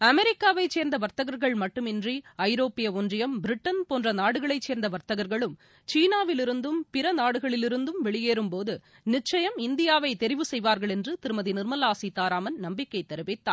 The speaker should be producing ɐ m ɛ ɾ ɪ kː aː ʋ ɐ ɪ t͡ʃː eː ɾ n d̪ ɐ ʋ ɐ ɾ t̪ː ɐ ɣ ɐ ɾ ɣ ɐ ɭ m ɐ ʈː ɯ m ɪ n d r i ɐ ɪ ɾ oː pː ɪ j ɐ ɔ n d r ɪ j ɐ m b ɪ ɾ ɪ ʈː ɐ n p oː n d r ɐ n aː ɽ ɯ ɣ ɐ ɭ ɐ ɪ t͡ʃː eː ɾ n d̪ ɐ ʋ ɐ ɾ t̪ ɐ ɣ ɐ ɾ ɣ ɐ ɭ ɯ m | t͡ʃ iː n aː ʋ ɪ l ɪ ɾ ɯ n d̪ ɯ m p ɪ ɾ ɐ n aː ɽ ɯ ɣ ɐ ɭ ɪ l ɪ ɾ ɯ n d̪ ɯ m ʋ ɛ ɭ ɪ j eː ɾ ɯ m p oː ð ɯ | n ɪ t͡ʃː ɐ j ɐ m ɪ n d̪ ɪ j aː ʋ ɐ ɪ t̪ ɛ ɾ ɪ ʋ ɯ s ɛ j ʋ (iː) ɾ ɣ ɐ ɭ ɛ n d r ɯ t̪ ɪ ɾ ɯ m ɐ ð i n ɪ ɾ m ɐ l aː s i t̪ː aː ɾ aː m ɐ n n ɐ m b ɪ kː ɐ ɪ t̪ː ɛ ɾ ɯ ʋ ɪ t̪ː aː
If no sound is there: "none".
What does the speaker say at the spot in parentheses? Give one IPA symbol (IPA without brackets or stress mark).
aː